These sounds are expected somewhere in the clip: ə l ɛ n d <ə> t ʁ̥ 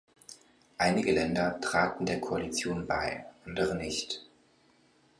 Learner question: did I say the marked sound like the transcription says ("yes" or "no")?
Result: no